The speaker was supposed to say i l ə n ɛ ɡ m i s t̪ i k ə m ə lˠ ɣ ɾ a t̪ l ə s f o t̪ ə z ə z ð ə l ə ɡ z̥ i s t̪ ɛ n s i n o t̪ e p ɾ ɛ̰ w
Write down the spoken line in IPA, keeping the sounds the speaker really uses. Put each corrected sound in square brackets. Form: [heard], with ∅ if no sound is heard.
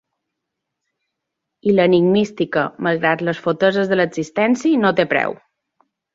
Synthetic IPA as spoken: i l ə n [i] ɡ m i s t̪ i k ə m ə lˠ ɣ ɾ a t̪ l ə s f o t̪ ə z ə z ð ə l ə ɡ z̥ i s t̪ ɛ n s i n o t̪ e p ɾ ɛ̰ w